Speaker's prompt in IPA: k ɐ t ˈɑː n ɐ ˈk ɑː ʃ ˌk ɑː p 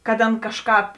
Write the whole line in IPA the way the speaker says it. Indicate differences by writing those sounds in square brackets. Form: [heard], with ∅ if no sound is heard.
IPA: k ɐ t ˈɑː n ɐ ˈk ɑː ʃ ˌk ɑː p